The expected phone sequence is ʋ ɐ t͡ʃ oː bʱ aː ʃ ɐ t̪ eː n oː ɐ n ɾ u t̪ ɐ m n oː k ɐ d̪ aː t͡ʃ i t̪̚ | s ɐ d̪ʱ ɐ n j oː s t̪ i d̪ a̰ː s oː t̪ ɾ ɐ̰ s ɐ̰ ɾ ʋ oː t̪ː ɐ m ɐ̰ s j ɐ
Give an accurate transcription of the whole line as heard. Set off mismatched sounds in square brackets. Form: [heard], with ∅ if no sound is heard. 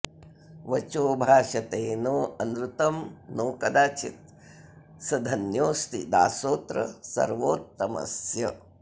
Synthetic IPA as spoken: ʋ ɐ t͡ʃ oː bʱ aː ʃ ɐ t̪ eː n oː ɐ n ɾ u t̪ ɐ m n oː k ɐ d̪ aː t͡ʃ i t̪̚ | s ɐ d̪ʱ ɐ n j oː s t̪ i d̪ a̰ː s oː t̪ ɾ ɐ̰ s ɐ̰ ɾ ʋ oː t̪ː ɐ m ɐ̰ s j ɐ